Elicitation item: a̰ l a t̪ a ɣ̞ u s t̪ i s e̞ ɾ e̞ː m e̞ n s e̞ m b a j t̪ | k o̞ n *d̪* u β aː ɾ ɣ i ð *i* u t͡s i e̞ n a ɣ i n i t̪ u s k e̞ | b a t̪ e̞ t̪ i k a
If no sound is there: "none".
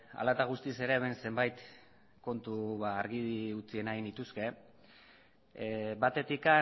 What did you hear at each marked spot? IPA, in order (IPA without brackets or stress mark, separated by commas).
t̪, i